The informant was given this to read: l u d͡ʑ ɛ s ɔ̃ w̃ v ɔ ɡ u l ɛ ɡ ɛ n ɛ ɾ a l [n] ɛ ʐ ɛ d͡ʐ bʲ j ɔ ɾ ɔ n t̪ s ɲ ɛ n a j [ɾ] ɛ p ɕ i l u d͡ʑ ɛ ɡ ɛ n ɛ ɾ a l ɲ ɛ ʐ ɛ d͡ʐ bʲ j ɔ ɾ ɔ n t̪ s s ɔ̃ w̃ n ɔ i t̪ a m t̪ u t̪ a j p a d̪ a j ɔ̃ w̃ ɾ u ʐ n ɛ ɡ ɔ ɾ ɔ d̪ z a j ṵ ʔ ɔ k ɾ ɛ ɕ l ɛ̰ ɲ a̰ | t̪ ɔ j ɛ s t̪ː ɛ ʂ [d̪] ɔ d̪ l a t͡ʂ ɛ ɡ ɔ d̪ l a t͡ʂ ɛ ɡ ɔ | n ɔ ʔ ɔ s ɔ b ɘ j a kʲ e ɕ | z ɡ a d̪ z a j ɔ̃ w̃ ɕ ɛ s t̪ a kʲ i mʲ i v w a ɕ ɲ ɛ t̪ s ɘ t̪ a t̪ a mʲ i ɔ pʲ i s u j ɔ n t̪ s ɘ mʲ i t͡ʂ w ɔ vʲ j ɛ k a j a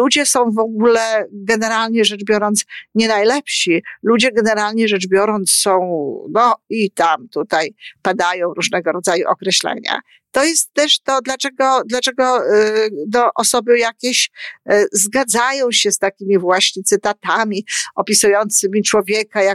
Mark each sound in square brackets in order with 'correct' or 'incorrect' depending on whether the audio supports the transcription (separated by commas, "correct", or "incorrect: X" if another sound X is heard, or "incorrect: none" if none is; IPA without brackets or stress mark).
incorrect: ɲ, incorrect: l, incorrect: t̪